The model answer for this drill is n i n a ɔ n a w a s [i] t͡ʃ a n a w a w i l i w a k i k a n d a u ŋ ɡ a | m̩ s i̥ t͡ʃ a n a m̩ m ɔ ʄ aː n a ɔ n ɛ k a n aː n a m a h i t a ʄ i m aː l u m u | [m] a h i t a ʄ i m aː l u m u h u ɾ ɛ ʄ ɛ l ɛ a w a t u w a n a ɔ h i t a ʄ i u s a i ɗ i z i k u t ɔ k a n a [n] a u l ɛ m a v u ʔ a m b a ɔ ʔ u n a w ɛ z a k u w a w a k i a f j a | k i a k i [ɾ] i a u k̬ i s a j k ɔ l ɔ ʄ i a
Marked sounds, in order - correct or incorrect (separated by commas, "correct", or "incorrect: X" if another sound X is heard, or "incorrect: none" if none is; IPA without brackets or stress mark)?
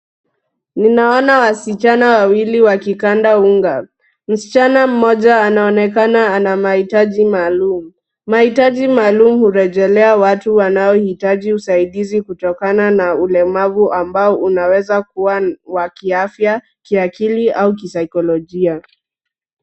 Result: correct, correct, correct, incorrect: l